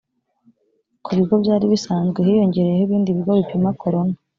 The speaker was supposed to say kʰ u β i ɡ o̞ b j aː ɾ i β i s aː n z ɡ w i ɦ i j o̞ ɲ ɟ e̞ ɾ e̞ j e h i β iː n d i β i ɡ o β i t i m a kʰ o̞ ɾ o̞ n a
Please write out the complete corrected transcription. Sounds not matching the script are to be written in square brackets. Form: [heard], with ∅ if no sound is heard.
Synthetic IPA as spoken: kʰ u β i ɡ o̞ b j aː ɾ i β i s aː n z ɡ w [e] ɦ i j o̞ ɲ ɟ e̞ ɾ e̞ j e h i β iː n d i β i ɡ o β i [p] i m a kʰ o̞ ɾ o̞ n a